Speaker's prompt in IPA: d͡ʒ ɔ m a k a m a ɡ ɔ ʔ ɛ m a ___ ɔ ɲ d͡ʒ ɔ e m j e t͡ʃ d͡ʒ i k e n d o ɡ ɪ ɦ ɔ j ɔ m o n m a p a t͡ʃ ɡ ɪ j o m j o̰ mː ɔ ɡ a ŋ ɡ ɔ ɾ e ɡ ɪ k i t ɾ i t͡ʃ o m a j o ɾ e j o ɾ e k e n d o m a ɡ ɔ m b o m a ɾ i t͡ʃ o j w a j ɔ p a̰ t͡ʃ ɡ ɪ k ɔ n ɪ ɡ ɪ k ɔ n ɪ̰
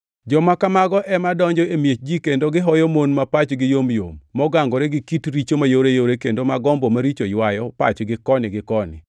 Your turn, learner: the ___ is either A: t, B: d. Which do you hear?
B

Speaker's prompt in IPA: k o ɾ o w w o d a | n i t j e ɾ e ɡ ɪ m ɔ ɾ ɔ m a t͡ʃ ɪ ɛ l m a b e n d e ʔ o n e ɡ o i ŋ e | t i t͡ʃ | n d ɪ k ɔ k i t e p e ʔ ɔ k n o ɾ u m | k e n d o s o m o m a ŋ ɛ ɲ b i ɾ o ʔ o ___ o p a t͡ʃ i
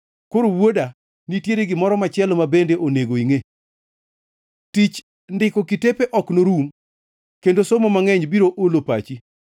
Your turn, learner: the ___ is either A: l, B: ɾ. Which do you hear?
A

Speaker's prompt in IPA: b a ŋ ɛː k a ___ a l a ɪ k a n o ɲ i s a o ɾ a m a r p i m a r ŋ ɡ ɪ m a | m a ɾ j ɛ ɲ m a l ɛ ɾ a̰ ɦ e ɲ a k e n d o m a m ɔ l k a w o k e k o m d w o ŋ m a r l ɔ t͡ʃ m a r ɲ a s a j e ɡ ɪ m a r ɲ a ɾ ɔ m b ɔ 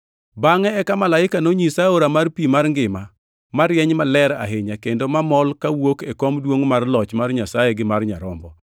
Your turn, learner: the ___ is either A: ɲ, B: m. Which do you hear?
B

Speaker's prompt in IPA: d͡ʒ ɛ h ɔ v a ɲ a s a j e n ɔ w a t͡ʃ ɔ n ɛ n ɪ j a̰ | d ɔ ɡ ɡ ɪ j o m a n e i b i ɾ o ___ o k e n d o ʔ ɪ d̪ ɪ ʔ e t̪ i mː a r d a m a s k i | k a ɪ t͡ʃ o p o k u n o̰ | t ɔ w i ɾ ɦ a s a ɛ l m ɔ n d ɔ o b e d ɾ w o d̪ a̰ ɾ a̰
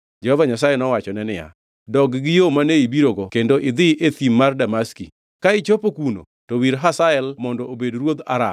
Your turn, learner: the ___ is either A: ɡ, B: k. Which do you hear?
A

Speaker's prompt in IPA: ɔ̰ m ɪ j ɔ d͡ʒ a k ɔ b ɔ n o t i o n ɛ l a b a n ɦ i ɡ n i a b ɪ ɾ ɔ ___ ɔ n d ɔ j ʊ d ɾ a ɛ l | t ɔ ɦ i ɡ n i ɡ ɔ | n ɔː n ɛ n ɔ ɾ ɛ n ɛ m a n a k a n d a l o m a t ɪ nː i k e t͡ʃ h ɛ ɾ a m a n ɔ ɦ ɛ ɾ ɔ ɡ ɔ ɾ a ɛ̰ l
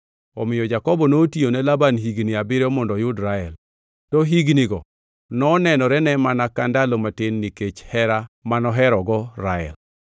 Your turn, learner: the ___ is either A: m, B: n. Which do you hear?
A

